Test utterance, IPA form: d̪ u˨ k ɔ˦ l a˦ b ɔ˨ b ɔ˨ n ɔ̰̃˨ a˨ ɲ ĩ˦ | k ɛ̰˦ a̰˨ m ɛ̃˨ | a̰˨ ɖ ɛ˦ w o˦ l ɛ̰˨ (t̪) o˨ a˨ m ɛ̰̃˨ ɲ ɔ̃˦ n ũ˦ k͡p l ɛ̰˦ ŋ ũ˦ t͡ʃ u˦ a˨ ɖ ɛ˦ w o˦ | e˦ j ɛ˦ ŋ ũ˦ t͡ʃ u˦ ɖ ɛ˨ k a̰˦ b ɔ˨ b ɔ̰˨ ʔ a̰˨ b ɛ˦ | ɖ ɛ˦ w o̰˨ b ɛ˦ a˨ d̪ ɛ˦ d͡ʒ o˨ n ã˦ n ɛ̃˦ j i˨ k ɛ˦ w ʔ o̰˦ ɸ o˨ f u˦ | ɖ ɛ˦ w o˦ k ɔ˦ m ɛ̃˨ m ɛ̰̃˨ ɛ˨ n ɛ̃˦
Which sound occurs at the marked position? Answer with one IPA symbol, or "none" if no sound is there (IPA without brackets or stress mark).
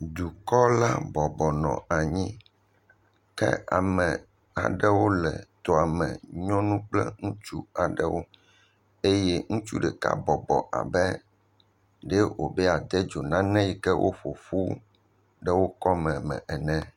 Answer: t̪